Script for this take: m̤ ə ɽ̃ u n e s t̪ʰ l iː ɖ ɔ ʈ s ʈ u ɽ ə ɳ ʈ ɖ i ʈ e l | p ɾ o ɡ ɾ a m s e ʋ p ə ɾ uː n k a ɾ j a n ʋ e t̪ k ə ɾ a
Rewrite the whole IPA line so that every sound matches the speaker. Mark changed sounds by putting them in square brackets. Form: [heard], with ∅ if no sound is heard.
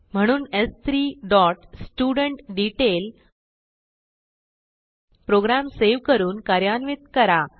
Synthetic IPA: m̤ ə ɽ̃ [uː] n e s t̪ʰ [ɾ] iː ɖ ɔ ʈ s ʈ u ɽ ə ɳ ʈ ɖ i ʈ e l | p ɾ o ɡ ɾ a m s e ʋ [k] ə ɾ uː n k a ɾ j a n ʋ [i] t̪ k ə ɾ a